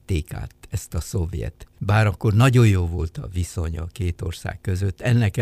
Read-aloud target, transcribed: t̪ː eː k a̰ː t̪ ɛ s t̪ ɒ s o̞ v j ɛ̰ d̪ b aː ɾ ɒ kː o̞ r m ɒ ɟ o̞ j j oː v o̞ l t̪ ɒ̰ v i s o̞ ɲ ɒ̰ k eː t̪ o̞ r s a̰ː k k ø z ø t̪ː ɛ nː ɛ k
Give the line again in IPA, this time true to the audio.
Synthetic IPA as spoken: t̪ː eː k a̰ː t̪ ɛ s t̪ ɒ s o̞ v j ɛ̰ t̪ b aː ɾ ɒ kː o̞ r n ɒ ɟ o̞ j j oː v o̞ l t̪ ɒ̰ v i s o̞ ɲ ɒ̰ k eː t̪ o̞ r s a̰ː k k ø z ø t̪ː ɛ nː ɛ k